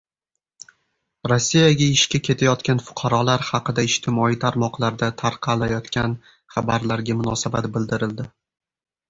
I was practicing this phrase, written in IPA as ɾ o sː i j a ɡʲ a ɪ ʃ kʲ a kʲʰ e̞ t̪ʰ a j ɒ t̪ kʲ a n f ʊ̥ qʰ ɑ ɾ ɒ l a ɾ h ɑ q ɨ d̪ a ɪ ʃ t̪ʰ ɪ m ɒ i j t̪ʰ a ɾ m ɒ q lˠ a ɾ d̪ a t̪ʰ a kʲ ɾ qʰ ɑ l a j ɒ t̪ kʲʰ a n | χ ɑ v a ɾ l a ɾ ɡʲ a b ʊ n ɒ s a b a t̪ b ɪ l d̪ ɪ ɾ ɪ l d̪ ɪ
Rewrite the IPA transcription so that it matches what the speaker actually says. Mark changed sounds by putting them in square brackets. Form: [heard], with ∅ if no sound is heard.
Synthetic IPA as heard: ɾ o sː i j a ɡʲ a ɪ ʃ kʲ a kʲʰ e̞ t̪ʰ a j ɒ t̪ kʲ a n f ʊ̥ qʰ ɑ ɾ ɒ l a ɾ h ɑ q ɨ d̪ a ɪ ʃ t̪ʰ ɪ m ɒ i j t̪ʰ a ɾ m ɒ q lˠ a ɾ d̪ a t̪ʰ a [∅] ɾ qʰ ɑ l a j ɒ t̪ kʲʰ a n | χ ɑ [b] a ɾ l a ɾ ɡʲ a [m] ʊ n ɒ s a b a t̪ b ɪ l d̪ ɪ ɾ ɪ l d̪ ɪ

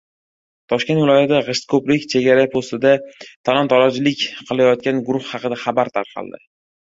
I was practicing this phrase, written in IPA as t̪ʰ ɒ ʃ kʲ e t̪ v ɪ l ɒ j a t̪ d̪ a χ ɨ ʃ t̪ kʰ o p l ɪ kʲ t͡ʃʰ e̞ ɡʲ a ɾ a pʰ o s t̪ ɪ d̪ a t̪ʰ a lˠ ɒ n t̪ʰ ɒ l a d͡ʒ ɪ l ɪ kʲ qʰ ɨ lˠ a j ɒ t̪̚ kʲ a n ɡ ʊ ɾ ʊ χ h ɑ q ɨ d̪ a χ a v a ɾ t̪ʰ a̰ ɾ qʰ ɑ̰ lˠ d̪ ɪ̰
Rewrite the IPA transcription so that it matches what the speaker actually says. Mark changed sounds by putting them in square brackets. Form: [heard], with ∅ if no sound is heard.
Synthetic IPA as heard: t̪ʰ ɒ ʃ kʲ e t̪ v ɪ l ɒ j a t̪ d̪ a [ʁ] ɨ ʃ t̪ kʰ o p l ɪ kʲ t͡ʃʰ e̞ ɡʲ a ɾ a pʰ o s t̪ ɪ d̪ a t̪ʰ a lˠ ɒ n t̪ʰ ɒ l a d͡ʒ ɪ l ɪ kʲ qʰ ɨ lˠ a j ɒ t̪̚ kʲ a n ɡ ʊ ɾ ʊ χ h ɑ q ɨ d̪ a χ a [b] a ɾ t̪ʰ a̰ ɾ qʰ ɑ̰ lˠ d̪ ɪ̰

